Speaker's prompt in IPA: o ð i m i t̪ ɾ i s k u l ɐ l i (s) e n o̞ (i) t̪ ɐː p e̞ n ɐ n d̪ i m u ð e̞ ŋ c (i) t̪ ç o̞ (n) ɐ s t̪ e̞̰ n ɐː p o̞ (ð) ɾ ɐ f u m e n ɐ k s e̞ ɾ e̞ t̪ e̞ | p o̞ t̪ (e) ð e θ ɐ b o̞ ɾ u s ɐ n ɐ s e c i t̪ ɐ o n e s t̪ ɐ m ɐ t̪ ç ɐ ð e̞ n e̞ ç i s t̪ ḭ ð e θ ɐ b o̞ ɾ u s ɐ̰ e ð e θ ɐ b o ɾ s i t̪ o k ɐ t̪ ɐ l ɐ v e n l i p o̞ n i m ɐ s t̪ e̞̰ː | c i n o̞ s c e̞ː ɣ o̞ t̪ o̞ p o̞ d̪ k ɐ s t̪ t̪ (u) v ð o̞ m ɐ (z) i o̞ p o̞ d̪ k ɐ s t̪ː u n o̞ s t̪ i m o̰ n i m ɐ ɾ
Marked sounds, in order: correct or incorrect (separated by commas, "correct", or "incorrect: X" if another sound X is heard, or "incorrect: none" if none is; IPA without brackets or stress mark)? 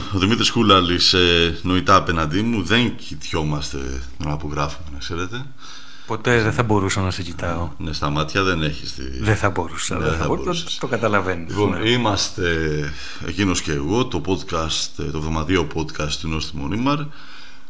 correct, correct, correct, incorrect: m, incorrect: ɣ, correct, incorrect: o, incorrect: ð